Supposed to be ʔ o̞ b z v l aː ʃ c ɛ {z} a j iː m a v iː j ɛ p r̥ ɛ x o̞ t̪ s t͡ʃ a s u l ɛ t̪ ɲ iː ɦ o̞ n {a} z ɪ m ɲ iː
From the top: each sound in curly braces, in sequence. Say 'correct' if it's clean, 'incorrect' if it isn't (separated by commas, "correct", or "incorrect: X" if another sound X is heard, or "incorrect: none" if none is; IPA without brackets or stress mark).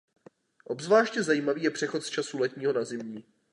correct, correct